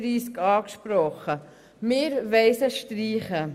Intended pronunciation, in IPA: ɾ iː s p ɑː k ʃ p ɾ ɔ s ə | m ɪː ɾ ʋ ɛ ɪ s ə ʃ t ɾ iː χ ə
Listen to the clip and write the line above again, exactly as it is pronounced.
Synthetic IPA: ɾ iː s k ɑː k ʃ p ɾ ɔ χ ə | m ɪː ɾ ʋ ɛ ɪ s ə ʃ t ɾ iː χ ə

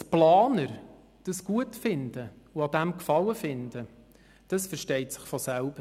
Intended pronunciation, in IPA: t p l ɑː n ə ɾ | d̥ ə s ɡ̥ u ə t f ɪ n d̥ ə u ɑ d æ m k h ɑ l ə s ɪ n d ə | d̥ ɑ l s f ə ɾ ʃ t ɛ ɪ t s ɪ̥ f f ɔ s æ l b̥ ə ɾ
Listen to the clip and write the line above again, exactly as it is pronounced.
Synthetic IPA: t p l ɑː n ə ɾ | d̥ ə s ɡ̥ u ə t f ɪ n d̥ ə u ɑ d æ m k f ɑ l ə f ɪ n d ə | d̥ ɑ s f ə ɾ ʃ t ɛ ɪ t s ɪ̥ χ f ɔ s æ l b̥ ə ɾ

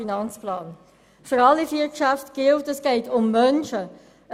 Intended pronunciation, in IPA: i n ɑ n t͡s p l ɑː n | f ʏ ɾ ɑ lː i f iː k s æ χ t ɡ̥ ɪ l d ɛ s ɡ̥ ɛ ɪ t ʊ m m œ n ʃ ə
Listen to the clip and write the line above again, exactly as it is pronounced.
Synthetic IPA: i n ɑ n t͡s p l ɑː n | f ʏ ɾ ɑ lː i f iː k ʃ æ f t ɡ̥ ɪ l t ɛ s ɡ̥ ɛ ɪ t ʊ m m œ n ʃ ə

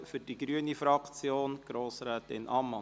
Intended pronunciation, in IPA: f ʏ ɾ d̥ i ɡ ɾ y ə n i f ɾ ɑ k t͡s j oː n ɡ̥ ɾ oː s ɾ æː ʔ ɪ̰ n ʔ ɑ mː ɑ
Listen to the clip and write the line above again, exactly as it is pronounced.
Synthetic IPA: f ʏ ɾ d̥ i ɡ ɾ y ə n i f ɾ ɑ k t͡s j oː n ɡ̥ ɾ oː s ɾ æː t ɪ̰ n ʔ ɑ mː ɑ

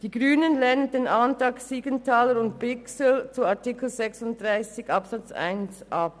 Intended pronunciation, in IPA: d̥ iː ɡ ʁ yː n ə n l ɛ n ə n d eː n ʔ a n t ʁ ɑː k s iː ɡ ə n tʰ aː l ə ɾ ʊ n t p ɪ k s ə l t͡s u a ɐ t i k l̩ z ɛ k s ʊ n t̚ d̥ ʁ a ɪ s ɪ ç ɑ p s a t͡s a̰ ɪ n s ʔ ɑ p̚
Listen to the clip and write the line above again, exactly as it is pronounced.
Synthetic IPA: d̥ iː ɡ ʁ yː n ə n l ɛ n ə n d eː n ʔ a n t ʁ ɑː k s iː ɡ ə n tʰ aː l ə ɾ ʊ n t p ɪ k s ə l t͡s u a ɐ t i k l̩ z ɛ k s ʊ n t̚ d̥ ʁ a ɪ s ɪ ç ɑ p s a t͡s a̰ ɪ n s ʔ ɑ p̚

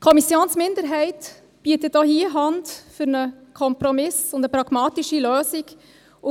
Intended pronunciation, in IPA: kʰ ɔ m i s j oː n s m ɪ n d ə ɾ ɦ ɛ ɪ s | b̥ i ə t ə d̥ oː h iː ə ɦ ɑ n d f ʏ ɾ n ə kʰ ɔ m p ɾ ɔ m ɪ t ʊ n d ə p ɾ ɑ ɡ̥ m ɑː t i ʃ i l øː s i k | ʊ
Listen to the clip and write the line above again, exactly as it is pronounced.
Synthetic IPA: kʰ ɔ m i s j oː n s m ɪ n d ə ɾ ɦ ɛ ɪ t | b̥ i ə t ə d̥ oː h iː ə ɦ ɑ n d f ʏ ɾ n ə kʰ ɔ m p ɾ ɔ m ɪ s ʊ n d ə p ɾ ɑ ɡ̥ m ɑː t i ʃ i l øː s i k | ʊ

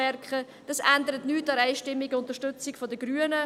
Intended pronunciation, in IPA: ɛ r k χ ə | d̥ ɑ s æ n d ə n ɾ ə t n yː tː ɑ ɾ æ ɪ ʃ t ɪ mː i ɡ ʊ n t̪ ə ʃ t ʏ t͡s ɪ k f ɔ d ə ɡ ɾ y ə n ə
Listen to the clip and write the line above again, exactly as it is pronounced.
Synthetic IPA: ɛ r k χ ə | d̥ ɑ s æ n d ə ɾ ə t n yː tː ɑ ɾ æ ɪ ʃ t ɪ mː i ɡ ʊ n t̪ ə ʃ t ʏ t͡s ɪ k f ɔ d ə ɡ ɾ y ə n ə

